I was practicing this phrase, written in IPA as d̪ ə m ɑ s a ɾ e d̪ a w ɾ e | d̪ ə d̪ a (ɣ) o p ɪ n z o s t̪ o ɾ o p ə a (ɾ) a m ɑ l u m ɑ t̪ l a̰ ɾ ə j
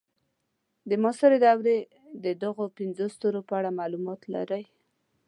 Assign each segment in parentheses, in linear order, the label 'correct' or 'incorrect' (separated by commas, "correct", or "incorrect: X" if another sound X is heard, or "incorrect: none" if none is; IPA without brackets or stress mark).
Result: correct, incorrect: ɽ